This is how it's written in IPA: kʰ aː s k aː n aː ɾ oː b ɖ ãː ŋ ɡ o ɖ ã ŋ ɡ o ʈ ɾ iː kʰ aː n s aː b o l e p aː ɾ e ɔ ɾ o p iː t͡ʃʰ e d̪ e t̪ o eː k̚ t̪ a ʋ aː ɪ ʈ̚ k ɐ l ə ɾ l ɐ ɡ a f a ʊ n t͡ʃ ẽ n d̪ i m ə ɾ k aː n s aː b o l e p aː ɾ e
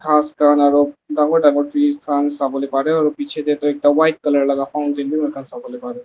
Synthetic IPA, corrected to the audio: kʰ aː s k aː n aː ɾ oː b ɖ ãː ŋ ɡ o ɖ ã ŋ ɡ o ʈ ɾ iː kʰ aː n s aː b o l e p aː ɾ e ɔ ɾ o p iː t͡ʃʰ e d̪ e t̪ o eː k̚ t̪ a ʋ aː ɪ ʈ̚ k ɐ l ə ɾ l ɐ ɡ a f a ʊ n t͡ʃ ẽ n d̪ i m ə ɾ k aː n s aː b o l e p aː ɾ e